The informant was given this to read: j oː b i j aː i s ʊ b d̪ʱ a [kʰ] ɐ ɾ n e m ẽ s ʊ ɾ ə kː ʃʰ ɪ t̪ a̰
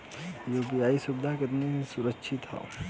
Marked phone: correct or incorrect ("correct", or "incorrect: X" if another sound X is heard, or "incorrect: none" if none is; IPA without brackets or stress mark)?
incorrect: k